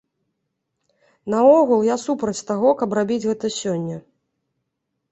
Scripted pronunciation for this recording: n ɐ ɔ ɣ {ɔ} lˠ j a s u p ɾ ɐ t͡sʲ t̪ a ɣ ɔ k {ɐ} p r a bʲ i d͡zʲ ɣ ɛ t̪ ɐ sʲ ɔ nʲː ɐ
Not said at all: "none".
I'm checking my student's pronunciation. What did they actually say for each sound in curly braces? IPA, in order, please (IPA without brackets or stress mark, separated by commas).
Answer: u, ɐ